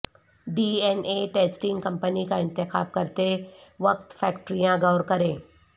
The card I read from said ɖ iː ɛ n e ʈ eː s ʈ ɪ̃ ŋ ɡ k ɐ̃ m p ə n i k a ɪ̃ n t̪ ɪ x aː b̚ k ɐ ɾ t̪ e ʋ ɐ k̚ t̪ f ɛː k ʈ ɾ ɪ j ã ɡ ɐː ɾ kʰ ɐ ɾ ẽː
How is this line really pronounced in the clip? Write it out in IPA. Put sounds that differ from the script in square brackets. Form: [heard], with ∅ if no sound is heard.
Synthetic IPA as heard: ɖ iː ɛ n e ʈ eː s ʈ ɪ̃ ŋ ɡ k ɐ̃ m p ə n i k a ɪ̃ n t̪ ɪ x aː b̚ k ɐ ɾ t̪ e ʋ ɐ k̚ t̪ f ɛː k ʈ ɾ [i] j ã ɡ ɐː ɾ [k] ɐ ɾ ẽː